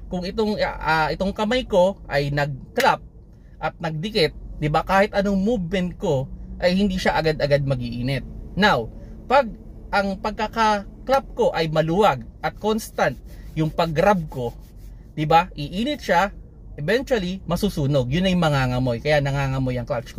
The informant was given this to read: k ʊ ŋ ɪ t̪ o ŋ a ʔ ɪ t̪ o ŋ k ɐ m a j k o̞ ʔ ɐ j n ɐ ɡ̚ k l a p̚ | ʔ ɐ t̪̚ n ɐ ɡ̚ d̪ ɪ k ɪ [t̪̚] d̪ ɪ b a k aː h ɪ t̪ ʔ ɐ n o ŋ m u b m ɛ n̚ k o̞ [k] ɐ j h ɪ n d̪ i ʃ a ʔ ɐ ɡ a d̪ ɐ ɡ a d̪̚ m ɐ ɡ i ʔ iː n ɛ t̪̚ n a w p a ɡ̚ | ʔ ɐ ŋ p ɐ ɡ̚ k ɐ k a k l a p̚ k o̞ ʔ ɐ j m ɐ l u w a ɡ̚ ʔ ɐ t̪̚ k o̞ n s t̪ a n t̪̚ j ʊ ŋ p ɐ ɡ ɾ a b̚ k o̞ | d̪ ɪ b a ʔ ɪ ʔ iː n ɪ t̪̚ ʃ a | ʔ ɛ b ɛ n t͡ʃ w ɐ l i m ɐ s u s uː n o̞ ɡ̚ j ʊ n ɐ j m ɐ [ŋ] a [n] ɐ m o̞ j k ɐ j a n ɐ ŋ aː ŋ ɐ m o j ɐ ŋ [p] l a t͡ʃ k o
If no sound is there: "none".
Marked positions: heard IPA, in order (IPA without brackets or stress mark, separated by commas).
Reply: t̪̚, ʔ, ŋ, ŋ, k